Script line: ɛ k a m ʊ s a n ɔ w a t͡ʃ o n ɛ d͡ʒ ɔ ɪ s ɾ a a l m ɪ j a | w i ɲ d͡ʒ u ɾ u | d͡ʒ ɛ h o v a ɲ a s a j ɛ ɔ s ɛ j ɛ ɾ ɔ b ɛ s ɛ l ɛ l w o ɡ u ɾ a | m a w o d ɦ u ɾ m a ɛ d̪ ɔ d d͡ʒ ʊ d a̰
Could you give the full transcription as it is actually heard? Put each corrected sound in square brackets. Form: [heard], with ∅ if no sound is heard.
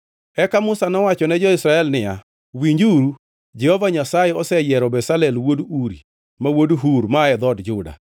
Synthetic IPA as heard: ɛ k a m ʊ s a n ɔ w a t͡ʃ [ɔ] n ɛ d͡ʒ ɔ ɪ s ɾ a [ɛ] l [n] ɪ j a | w i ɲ d͡ʒ u ɾ u | d͡ʒ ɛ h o v a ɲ a s a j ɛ ɔ s ɛ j ɛ ɾ ɔ b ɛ s [a] l ɛ l w o [d] u ɾ [i] | m a w o d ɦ u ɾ m a ɛ d̪ ɔ d d͡ʒ ʊ d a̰